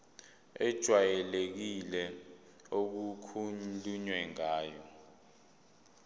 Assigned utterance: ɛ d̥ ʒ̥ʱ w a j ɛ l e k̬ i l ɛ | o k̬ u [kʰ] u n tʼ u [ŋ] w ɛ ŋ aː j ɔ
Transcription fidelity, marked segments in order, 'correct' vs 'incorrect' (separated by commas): correct, incorrect